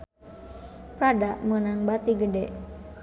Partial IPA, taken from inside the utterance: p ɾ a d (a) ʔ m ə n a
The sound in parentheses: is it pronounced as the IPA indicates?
yes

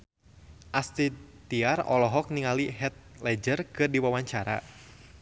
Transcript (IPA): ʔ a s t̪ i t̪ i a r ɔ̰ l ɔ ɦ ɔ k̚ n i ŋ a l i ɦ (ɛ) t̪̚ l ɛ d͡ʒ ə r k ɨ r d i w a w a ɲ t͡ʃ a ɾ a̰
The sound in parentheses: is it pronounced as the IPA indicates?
yes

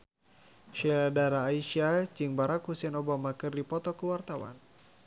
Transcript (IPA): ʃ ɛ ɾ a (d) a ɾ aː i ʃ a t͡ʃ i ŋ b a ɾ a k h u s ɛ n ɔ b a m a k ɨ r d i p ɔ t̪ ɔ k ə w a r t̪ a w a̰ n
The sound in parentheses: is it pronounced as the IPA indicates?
yes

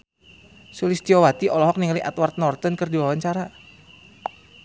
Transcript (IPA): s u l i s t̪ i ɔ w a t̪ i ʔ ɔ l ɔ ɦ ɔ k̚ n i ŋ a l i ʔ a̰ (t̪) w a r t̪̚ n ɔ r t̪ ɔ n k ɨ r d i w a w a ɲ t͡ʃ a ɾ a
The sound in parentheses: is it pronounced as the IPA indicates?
yes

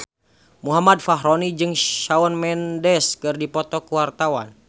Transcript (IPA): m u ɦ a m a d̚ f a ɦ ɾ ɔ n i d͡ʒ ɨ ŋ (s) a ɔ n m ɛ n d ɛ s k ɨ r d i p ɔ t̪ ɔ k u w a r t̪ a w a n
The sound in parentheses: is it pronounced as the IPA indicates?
no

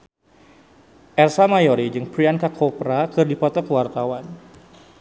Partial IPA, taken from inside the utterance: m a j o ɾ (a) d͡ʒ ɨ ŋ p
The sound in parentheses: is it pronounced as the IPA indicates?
no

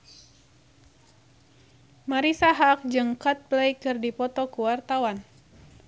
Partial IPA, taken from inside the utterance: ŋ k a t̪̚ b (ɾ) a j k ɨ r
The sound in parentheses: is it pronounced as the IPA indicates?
no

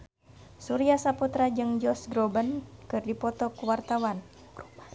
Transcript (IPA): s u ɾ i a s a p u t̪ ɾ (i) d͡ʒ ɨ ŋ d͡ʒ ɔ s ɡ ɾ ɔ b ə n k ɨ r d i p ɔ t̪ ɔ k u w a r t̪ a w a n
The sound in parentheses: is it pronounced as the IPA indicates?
no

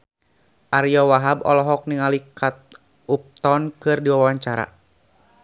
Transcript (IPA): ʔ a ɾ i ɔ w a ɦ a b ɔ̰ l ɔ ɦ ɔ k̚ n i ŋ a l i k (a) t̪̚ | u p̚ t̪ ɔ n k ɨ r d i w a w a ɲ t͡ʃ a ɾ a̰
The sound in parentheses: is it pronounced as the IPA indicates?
yes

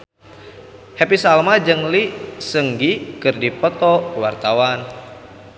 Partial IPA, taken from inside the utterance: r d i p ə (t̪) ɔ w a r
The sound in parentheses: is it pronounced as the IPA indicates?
yes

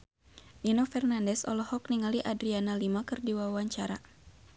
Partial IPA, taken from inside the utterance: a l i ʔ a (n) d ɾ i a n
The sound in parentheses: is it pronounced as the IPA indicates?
no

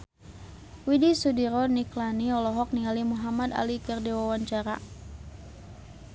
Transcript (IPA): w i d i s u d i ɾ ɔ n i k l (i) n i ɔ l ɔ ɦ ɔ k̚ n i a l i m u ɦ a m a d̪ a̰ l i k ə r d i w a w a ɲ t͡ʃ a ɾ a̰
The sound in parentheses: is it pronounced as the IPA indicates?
no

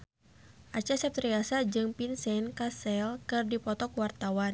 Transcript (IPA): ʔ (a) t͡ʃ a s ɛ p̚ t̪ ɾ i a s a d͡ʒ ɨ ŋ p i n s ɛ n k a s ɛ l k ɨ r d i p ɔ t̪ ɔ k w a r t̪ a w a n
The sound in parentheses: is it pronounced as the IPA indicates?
yes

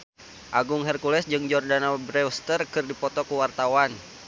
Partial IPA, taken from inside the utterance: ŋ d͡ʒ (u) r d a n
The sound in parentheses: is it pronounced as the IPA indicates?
no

